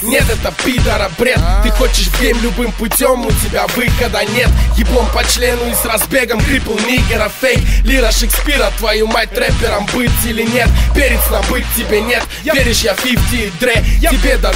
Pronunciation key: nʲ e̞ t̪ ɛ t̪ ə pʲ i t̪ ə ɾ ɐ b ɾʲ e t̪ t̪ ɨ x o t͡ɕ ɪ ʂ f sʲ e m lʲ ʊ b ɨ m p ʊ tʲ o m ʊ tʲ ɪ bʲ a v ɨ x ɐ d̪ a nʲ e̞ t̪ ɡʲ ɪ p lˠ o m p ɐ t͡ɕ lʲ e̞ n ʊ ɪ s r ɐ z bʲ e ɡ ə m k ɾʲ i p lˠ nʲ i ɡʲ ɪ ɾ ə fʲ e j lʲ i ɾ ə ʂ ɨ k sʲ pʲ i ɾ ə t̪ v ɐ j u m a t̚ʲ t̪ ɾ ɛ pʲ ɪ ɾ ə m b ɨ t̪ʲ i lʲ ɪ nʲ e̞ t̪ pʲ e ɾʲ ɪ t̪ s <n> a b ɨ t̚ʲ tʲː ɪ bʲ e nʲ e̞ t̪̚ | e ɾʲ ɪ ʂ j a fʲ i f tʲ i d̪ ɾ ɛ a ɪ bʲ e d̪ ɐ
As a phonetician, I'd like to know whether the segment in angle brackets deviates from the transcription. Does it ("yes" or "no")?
no